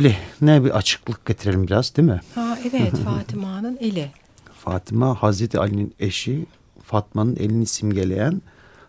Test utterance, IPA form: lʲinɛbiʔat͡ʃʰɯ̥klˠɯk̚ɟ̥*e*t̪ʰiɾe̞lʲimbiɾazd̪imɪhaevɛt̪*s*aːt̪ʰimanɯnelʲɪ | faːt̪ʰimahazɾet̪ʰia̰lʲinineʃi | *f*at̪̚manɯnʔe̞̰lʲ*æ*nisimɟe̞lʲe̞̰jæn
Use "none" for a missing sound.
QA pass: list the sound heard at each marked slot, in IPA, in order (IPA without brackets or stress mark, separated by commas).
e, f, f, i